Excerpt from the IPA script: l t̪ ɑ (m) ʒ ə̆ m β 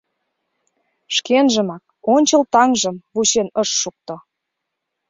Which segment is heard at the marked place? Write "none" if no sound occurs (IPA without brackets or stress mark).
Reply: ŋ